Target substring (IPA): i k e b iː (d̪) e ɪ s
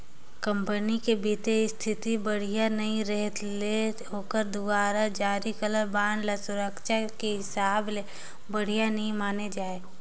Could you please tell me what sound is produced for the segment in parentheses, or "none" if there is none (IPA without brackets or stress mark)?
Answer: t̪